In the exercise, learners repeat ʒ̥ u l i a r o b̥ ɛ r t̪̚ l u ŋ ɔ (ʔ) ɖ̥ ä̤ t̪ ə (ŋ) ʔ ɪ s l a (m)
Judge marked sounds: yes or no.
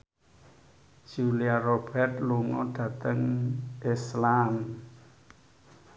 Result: no, yes, yes

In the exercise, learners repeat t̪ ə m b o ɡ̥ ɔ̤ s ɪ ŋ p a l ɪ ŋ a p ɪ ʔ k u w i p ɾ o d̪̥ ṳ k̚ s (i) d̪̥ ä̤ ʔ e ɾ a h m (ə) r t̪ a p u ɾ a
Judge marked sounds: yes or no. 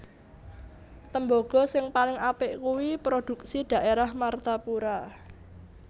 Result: yes, no

